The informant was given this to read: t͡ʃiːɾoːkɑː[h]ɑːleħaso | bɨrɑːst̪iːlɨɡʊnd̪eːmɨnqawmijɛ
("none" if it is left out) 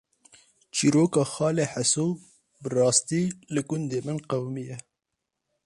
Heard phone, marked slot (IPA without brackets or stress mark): x